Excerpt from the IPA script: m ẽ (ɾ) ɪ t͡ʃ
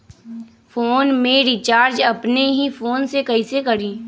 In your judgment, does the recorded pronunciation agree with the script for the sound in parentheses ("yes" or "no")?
yes